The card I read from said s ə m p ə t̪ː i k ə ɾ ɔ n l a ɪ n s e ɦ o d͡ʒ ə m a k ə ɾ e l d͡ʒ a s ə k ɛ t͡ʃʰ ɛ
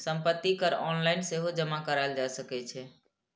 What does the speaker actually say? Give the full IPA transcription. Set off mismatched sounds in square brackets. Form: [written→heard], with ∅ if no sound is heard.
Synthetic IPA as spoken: s ə m p ə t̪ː i k ə ɾ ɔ n l a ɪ n s e ɦ o d͡ʒ ə m a k ə ɾ [e→a] l d͡ʒ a s ə k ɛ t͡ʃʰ ɛ